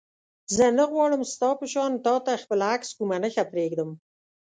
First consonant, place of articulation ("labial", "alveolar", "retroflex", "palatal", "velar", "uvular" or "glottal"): alveolar